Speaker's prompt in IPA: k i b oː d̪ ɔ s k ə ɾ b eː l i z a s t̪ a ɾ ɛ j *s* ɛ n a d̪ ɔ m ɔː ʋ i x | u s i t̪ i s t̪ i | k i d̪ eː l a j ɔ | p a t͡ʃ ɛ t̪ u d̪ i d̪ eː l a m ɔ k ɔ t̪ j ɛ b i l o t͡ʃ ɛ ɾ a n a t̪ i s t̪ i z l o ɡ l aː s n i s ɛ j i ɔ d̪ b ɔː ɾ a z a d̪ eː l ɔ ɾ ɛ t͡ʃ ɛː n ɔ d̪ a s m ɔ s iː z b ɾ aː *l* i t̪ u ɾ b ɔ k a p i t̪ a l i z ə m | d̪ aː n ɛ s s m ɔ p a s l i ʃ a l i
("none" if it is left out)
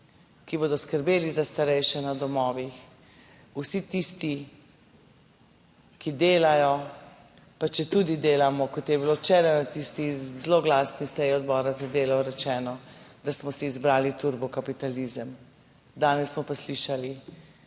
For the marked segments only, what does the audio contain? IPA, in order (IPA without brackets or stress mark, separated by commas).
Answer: ʃ, l